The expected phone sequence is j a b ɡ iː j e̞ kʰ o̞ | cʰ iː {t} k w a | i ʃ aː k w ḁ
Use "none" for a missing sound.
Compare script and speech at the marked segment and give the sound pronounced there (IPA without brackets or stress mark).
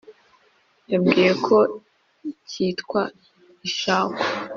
t